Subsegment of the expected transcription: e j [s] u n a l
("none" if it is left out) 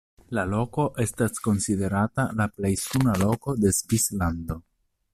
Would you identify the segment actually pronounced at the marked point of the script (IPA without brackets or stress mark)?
s